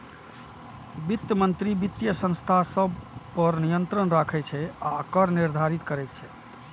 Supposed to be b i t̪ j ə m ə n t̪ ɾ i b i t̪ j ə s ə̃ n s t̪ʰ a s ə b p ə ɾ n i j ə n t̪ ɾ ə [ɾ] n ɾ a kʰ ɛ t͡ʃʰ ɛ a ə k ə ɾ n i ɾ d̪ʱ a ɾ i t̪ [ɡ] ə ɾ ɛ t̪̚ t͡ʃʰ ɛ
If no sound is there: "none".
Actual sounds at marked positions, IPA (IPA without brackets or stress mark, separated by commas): none, k